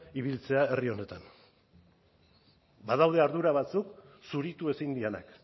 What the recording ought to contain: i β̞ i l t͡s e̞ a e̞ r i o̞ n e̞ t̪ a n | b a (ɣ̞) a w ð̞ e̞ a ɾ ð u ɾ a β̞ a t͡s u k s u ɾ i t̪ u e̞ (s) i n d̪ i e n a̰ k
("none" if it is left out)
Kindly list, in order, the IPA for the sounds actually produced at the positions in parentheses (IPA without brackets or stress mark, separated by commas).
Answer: ð̞, s